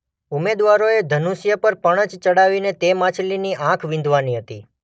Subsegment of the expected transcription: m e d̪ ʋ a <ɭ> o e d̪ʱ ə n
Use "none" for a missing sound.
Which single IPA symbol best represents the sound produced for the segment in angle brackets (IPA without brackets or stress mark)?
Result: ɾ